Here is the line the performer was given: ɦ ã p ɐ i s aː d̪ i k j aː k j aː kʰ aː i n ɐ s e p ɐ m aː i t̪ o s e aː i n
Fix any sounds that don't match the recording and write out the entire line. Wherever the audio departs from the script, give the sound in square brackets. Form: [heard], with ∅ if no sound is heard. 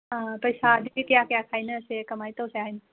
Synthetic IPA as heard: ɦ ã p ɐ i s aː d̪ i k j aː k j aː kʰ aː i n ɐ s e [k] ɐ m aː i t̪ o s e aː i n